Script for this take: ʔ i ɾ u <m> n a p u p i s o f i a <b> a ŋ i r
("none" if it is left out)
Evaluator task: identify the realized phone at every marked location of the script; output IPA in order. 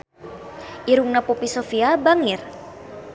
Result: ŋ, b

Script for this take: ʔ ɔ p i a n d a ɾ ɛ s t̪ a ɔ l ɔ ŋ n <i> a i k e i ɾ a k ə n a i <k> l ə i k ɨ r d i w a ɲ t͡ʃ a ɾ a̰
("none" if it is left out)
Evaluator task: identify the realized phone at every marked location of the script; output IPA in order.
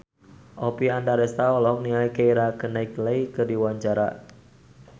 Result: i, k

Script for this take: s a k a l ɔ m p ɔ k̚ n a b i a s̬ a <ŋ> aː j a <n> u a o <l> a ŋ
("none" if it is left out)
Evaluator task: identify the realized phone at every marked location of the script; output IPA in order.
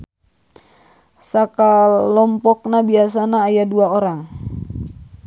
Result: n, d, ɾ

